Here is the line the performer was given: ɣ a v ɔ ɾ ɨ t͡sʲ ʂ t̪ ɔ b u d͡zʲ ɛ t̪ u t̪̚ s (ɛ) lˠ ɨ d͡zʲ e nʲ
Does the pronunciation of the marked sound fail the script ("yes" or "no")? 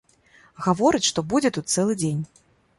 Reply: no